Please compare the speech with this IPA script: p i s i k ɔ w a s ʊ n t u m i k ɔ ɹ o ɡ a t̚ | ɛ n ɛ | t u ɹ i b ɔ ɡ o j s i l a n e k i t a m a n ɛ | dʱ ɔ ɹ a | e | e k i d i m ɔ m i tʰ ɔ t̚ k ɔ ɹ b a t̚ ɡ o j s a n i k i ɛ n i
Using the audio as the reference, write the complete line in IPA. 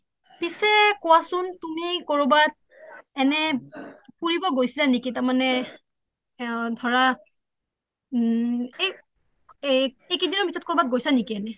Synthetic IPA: p i s ɛ k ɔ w a s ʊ n t u m i k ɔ ɹ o b a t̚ | ɛ n ɛ | p u ɹ i b ɔ ɡ o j s i l a n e k i t a m a n ɛ | dʱ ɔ ɹ a | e | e k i d i n ɔ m i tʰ ɔ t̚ k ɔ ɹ b a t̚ ɡ o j s a n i k i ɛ n ɛ